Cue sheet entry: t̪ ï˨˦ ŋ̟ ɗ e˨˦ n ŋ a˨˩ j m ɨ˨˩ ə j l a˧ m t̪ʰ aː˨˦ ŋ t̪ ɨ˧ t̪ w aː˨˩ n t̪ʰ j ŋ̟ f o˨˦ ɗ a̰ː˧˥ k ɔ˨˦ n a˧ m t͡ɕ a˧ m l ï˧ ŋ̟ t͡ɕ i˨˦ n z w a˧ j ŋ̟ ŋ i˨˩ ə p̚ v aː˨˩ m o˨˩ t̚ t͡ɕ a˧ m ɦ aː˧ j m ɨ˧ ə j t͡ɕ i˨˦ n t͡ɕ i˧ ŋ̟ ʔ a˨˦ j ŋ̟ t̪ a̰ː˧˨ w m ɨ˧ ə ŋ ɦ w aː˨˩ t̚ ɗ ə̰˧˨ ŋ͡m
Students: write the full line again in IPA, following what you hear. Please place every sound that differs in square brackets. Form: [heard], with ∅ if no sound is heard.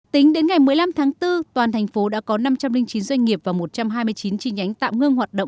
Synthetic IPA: t̪ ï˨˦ ŋ̟ ɗ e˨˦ n ŋ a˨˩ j m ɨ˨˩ ə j l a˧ m t̪ʰ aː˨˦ ŋ t̪ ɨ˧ t̪ w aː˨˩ n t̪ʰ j ŋ̟ f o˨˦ ɗ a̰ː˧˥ k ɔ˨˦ n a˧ m t͡ɕ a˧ m l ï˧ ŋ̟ t͡ɕ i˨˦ n z w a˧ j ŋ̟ ŋ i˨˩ ə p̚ v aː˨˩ m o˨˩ t̚ t͡ɕ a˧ m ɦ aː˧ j m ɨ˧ ə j t͡ɕ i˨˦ n t͡ɕ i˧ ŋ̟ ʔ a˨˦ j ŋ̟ t̪ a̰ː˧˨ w [ŋ] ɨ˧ ə ŋ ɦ w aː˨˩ t̚ ɗ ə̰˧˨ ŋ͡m

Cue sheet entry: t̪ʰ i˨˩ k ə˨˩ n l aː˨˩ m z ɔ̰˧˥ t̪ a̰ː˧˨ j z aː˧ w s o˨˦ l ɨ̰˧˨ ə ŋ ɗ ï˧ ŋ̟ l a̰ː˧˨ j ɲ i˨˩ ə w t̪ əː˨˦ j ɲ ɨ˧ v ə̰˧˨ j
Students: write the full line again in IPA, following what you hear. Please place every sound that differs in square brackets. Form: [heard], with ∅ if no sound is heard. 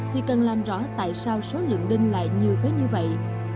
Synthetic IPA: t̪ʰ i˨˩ k ə˨˩ n l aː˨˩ m z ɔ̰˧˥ t̪ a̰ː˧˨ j [s] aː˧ w s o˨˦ l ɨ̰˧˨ ə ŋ ɗ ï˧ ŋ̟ l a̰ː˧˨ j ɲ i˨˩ ə w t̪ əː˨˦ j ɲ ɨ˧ v ə̰˧˨ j

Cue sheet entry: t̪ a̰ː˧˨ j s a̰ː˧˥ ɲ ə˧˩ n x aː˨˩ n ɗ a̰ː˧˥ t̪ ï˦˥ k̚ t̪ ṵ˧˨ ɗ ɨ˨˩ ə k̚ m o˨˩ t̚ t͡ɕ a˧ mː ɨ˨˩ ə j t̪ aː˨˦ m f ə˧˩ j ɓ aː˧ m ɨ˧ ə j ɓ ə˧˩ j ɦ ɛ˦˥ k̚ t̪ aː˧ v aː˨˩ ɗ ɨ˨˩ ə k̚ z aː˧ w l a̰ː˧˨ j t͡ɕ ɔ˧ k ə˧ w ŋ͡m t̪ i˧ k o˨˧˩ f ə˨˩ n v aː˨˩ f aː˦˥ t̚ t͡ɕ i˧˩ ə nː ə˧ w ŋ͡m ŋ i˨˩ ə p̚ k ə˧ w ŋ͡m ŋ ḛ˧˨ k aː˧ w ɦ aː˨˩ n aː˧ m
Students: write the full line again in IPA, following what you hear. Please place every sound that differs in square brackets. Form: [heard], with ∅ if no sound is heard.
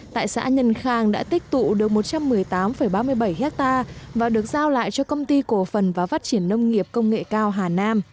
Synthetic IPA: t̪ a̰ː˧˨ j s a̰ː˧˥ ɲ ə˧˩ n x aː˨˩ [ŋ] ɗ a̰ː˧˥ t̪ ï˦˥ k̚ t̪ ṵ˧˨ ɗ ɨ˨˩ ə k̚ m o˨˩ t̚ t͡ɕ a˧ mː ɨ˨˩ ə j t̪ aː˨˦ m f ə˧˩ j ɓ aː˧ m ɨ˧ ə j ɓ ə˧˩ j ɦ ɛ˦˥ k̚ t̪ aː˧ v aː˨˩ ɗ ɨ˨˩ ə k̚ z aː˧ w l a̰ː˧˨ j t͡ɕ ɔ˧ k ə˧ w ŋ͡m t̪ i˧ k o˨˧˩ f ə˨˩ n v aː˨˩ f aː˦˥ t̚ t͡ɕ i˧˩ ə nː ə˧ w ŋ͡m ŋ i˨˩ ə p̚ k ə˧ w ŋ͡m ŋ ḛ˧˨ k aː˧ w ɦ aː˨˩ n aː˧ m

